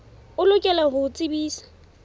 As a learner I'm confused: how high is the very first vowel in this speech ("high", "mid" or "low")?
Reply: high